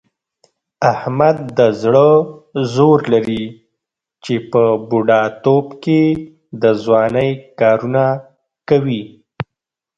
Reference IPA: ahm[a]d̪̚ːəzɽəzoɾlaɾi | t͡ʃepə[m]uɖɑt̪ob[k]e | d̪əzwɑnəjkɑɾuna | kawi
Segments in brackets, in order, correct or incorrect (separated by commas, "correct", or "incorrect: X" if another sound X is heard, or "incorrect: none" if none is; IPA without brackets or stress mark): correct, incorrect: b, correct